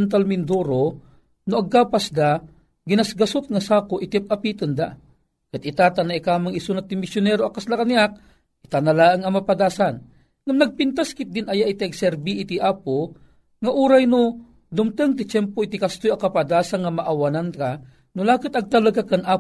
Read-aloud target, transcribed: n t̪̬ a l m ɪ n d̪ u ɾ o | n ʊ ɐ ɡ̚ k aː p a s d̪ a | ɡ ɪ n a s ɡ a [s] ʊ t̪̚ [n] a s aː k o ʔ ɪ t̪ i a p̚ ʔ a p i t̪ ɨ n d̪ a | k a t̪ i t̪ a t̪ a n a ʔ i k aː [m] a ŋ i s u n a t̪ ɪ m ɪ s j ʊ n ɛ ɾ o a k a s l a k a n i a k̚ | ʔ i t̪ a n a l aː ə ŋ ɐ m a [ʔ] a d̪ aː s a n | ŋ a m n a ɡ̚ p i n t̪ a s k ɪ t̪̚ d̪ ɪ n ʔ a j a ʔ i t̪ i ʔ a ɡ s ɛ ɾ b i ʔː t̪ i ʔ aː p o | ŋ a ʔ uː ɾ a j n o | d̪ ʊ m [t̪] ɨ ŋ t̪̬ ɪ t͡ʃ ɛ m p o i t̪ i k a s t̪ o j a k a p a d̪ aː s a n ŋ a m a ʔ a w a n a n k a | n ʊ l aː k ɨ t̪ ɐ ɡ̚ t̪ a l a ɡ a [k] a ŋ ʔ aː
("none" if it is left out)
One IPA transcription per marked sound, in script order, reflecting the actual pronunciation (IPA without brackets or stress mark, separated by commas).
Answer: s, ŋ, m, p, t̪, k